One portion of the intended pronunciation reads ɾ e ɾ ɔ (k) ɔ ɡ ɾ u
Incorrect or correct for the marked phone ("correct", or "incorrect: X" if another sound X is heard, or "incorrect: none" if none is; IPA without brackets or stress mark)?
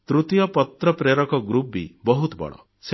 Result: correct